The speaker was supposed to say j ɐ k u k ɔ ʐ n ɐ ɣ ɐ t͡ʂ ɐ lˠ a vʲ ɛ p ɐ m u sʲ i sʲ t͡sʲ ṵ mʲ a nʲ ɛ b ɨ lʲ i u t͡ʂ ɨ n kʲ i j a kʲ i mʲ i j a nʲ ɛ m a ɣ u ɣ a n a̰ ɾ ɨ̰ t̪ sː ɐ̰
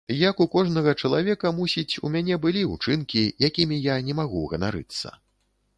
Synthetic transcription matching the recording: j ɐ k u k ɔ ʐ n ɐ ɣ ɐ t͡ʂ ɐ lˠ a vʲ ɛ k ɐ m u sʲ i t͡sʲ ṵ mʲ a nʲ ɛ b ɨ lʲ i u t͡ʂ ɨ n kʲ i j a kʲ i mʲ i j a nʲ ɛ m a ɣ u ɣ ɐ n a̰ ɾ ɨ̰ t̪ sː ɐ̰

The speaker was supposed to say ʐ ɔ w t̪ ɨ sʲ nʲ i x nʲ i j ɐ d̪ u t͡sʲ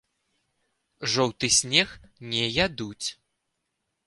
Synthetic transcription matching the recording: ʐ ɔ w t̪ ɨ sʲ nʲ ɛ x nʲ ɛ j a d̪ u t͡sʲ

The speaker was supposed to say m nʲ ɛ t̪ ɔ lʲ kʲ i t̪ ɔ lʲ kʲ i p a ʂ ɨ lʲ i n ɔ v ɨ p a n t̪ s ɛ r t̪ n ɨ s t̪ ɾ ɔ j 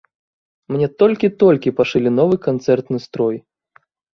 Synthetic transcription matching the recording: m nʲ ɛ t̪ ɔ lʲ kʲ i t̪ ɔ lʲ kʲ i p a ʂ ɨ lʲ i n ɔ v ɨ k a n t̪ s ɛ r t̪ n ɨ s t̪ ɾ ɔ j

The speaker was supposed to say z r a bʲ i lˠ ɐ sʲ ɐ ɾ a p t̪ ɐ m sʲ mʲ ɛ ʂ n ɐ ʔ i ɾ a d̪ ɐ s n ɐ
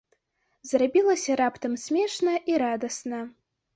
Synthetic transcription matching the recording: z r a bʲ i lˠ ɐ sʲ ɐ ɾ a p t̪ ɐ m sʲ mʲ ɛ ʂ n ɐ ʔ i ɾ a d̪ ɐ s n ɐ

